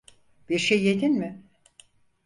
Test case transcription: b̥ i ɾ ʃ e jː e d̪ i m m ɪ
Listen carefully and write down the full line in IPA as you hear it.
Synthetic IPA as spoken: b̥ i ɾ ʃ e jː e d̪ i n m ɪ